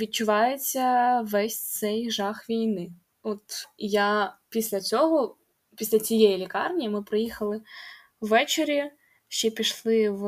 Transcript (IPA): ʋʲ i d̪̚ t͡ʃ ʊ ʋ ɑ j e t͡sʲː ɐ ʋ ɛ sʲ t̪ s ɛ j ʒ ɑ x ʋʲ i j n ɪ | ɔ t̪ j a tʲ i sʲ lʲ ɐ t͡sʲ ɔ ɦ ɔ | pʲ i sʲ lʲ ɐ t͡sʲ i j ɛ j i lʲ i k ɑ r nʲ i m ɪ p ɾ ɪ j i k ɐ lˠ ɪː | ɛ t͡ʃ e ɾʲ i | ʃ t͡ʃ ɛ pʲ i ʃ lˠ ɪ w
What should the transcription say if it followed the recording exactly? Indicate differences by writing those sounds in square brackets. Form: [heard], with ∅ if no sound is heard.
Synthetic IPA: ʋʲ i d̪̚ t͡ʃ ʊ ʋ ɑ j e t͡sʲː ɐ ʋ ɛ sʲ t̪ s ɛ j ʒ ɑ x ʋʲ i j n ɪ | ɔ t̪ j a [pʲ] i sʲ lʲ ɐ t͡sʲ ɔ ɦ ɔ | pʲ i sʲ lʲ ɐ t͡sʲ i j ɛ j i lʲ i k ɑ r nʲ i m ɪ p ɾ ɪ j i [x] ɐ lˠ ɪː | ɛ t͡ʃ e ɾʲ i | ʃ t͡ʃ ɛ pʲ i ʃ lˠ ɪ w